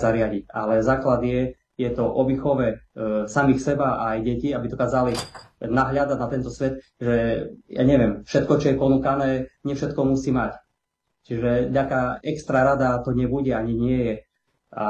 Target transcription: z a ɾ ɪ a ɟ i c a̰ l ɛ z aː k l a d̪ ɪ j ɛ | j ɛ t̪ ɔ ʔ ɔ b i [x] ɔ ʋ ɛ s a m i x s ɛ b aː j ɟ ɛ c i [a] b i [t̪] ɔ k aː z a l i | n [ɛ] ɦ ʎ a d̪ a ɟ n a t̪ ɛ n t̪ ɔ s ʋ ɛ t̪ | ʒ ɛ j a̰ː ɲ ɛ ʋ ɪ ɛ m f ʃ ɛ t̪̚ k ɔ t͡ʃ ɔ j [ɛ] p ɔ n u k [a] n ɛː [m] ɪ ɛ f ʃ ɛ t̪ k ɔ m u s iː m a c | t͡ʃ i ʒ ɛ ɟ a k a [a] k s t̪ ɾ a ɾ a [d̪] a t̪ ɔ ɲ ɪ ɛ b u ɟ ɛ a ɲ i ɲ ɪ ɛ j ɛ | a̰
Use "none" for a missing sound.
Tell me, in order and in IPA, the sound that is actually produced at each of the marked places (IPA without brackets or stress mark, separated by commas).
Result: x, a, d̪, a, ɛ, a, ɲ, ɛ, d̪